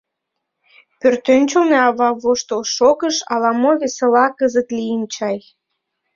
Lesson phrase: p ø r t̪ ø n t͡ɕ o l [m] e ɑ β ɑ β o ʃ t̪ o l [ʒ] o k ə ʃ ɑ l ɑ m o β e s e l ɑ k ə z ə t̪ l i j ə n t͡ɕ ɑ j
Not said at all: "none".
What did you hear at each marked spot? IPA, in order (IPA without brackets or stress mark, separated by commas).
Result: n, ʃ